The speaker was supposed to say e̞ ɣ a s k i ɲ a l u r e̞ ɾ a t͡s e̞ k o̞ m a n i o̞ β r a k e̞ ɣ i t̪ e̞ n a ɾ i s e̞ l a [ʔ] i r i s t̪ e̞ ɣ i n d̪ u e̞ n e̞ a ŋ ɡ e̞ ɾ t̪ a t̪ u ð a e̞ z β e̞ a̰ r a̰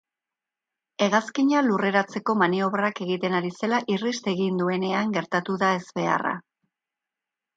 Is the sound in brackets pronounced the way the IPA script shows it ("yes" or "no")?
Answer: yes